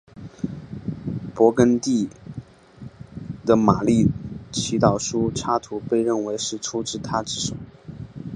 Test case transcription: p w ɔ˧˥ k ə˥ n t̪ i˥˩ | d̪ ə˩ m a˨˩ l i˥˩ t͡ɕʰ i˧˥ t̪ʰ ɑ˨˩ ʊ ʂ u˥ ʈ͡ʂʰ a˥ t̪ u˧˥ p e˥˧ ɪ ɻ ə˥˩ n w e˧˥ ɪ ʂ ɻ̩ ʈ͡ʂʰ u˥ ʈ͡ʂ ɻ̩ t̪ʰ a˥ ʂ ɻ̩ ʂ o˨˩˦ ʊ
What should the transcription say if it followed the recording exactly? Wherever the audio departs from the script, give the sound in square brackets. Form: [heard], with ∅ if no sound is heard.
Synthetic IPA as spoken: p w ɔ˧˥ k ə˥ n t̪ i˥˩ | d̪ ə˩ m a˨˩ l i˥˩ t͡ɕʰ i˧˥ [t̪] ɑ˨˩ ʊ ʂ u˥ ʈ͡ʂʰ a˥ [t̪ʰ] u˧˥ p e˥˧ ɪ ɻ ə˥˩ n w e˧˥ ɪ ʂ ɻ̩ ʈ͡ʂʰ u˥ ʈ͡ʂ ɻ̩ t̪ʰ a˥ [ʈ͡ʂ] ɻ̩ ʂ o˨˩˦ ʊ